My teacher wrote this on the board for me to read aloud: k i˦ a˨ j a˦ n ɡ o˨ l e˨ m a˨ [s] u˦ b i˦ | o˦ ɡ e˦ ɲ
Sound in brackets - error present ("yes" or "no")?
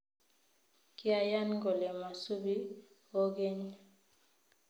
no